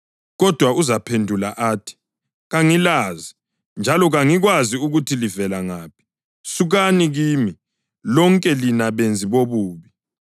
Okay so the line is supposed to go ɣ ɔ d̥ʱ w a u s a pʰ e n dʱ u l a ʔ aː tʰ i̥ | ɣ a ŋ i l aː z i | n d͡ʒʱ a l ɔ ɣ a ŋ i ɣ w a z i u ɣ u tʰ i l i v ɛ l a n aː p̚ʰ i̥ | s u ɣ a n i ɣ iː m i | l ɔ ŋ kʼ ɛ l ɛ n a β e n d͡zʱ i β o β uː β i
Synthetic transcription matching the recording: ɣ ɔ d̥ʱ w a u z a pʰ e n dʱ u l a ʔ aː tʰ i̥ | ɣ a ŋ i l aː z i | n d͡ʒʱ a l ɔ ɣ a ŋ i ɣ w a z i u ɣ u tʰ i l i v ɛ l a ŋ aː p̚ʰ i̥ | s u ɣ a n i ɣ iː m i | l ɔ ŋ kʼ ɛ l i n a β e n d͡zʱ i β o β uː β i